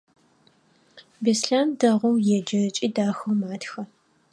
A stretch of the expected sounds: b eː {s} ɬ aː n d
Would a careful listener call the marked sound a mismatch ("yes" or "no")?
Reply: no